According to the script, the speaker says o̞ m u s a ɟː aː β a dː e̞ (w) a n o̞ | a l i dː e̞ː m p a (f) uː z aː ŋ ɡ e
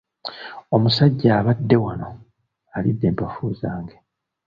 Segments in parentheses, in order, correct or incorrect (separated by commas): correct, correct